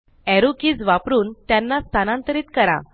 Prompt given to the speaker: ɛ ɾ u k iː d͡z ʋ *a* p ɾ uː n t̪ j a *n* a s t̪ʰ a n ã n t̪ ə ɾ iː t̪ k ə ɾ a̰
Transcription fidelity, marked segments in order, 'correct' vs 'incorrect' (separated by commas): correct, incorrect